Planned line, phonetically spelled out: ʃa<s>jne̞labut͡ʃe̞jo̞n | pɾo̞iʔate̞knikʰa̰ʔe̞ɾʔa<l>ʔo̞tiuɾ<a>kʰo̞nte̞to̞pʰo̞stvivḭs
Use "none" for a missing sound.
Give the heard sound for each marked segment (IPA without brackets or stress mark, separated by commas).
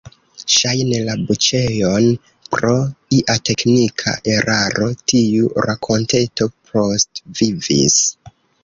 none, ɾ, a